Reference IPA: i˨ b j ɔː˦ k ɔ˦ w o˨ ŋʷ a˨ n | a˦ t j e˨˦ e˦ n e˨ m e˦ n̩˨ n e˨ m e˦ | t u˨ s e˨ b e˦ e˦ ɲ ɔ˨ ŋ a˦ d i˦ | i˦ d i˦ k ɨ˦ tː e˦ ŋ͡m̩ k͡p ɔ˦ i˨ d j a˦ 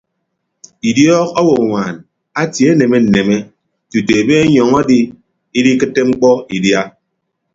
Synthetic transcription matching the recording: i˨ d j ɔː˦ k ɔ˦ w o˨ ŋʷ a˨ n | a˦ t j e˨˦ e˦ n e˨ m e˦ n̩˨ n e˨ m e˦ | t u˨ t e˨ b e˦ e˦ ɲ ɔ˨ ŋ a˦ d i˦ | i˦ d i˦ k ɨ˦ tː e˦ ŋ͡m̩ k͡p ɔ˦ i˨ d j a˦

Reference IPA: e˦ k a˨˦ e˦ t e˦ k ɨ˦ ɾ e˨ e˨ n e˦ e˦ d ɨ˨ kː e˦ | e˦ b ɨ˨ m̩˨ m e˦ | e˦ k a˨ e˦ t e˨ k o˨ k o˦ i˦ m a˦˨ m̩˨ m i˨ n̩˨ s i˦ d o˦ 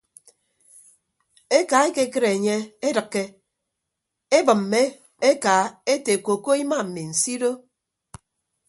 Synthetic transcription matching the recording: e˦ k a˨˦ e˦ k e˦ k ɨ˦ ɾ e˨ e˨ ɲ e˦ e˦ d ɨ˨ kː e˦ | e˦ b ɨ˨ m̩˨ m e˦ | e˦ k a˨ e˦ t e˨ k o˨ k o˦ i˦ m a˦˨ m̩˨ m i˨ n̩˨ s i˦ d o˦

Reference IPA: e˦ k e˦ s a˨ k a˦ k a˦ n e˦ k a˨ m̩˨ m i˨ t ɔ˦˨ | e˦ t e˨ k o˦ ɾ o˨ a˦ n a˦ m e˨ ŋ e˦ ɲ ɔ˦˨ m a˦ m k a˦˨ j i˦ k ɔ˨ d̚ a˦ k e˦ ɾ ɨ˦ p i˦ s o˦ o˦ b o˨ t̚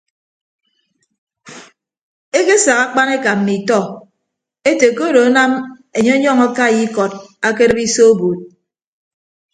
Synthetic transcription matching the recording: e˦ k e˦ s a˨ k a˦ k͡p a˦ n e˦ k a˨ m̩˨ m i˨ t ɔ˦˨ | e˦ t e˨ k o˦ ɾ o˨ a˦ n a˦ m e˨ ɲ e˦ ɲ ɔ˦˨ ŋ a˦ k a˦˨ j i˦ k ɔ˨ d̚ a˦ k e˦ ɾ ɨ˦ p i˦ s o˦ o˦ b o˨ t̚

